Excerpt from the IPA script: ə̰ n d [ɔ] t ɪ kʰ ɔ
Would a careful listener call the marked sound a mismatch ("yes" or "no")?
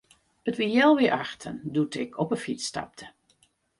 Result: yes